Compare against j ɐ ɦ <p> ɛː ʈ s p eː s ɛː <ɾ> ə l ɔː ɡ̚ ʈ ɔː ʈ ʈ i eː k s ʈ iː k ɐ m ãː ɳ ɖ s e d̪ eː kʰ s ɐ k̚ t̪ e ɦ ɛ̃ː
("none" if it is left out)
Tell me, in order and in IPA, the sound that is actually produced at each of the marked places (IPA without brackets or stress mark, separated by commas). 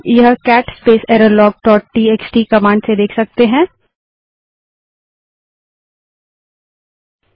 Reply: k, ɾ